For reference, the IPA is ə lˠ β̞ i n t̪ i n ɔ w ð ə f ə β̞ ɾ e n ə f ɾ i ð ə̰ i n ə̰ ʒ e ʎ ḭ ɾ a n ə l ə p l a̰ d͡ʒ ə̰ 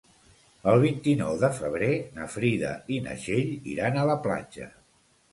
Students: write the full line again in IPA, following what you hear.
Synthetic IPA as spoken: ə lˠ β̞ i n t̪ i n ɔ w ð ə f ə β̞ ɾ e n ə f ɾ i ð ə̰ i n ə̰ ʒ e ʎ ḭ ɾ a n ə l ə p l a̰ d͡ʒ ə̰